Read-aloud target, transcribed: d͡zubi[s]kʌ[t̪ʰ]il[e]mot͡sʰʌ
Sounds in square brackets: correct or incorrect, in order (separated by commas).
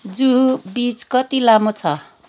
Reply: incorrect, incorrect, incorrect